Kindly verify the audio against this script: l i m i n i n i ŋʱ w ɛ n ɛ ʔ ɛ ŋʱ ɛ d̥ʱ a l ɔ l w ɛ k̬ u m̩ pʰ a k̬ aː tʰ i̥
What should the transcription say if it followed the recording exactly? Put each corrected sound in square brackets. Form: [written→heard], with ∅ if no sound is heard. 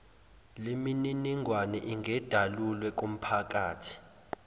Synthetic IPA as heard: l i m i n i n i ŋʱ w [ɛ→a] n ɛ ʔ [ɛ→i] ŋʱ ɛ d̥ʱ a l [ɔ→u] l w ɛ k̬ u m̩ pʰ a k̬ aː tʰ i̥